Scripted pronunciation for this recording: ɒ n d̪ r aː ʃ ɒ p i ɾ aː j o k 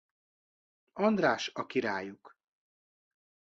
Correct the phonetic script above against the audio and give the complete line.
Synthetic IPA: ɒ n d̪ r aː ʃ ɒ k i ɾ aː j u k